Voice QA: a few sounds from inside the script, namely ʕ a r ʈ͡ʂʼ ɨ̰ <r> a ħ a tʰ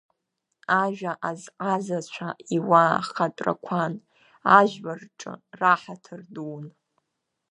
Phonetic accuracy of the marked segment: correct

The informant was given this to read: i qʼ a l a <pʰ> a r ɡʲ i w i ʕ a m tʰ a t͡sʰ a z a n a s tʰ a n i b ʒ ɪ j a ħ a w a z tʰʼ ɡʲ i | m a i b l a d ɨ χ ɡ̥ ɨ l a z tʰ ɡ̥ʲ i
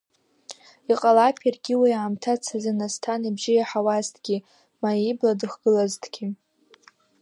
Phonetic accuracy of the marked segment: correct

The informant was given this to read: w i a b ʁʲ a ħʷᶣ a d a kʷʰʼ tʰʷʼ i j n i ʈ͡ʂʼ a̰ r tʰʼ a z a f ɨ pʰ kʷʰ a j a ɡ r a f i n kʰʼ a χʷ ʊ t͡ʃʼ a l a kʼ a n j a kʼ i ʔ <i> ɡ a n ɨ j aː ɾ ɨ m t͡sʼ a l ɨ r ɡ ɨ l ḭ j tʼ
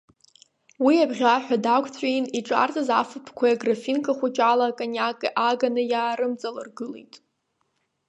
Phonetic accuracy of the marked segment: incorrect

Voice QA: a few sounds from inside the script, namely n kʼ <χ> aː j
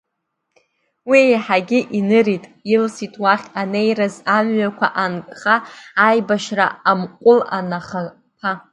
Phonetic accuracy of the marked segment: correct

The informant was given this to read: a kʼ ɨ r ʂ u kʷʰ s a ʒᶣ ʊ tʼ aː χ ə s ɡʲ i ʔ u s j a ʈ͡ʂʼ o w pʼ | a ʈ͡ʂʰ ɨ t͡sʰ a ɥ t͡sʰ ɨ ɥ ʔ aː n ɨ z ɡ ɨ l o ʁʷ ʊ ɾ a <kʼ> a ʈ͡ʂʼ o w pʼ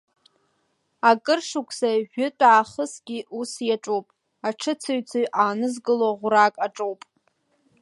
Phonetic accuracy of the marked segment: correct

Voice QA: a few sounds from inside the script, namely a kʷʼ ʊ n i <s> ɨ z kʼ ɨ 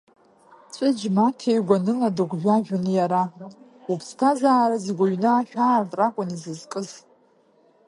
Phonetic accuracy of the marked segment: incorrect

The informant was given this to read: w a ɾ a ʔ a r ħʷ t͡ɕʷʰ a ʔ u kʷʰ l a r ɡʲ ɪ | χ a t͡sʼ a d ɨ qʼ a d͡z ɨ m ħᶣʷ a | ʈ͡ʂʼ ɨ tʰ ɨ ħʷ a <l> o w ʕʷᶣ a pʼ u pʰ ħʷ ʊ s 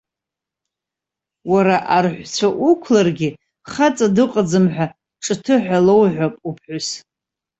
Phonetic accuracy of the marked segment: correct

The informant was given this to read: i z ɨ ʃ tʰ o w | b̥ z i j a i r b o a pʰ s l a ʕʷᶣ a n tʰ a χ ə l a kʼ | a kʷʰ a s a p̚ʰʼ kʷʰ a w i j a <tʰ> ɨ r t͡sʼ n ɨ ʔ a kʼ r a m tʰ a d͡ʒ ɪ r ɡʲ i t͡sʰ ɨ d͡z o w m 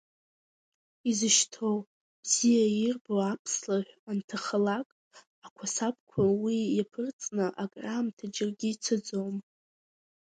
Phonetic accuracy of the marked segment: incorrect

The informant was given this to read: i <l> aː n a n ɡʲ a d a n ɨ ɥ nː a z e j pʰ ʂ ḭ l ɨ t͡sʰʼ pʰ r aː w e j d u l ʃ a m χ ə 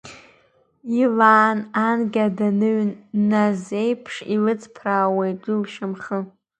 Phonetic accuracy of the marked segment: correct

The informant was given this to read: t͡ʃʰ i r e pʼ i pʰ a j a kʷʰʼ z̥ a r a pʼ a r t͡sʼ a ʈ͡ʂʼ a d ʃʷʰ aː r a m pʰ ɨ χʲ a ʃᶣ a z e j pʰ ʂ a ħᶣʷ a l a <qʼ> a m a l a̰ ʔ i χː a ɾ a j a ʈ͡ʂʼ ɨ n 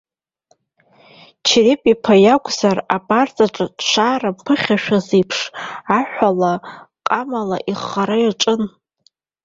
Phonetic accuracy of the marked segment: correct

